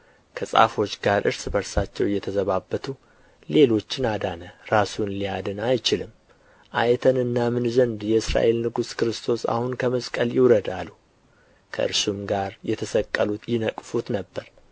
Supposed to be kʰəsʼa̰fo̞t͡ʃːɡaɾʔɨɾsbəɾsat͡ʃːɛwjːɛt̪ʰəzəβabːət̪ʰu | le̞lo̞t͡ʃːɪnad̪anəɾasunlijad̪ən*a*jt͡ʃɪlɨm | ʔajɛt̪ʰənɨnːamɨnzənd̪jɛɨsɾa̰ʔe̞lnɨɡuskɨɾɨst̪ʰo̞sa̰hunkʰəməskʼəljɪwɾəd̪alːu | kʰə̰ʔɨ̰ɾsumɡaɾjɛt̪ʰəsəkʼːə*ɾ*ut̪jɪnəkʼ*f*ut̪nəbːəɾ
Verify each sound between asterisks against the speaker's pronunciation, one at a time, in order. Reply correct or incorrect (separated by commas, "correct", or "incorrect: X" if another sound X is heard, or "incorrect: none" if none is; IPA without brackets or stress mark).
correct, incorrect: l, correct